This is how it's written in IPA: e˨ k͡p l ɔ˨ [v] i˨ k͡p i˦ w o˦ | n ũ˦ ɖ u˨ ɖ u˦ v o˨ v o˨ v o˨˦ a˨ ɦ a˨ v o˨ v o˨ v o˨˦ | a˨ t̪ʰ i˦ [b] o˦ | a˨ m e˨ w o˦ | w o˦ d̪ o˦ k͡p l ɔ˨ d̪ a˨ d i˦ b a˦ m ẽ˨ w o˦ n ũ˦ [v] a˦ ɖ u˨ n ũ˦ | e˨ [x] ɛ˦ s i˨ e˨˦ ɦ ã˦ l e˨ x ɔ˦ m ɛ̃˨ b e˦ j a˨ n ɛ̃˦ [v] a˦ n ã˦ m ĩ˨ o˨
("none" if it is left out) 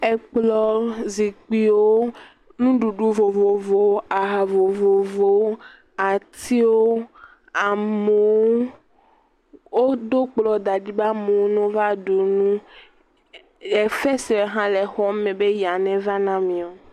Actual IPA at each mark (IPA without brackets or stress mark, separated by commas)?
z, w, v, f, v